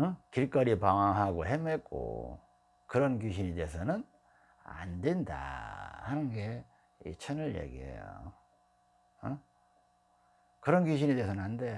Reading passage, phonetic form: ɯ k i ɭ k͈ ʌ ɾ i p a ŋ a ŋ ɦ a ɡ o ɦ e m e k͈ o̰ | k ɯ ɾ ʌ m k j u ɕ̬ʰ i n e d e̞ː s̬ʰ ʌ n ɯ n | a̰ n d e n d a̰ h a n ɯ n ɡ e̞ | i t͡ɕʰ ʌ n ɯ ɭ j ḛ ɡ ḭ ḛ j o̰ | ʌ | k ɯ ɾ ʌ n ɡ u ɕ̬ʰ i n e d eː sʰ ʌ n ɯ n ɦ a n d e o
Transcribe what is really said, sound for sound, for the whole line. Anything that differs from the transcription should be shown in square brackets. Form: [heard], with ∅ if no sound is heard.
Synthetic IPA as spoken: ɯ k i ɭ k͈ ʌ ɾ i p a ŋ a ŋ ɦ a ɡ o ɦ e m e k͈ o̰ | k ɯ ɾ ʌ [n] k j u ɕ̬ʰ i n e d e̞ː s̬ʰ ʌ n ɯ n | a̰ n d e n d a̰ h a n ɯ n ɡ e̞ | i t͡ɕʰ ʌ n ɯ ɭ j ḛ ɡ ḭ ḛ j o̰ | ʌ | k ɯ ɾ ʌ n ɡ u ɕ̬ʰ i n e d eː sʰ ʌ n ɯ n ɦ a n d e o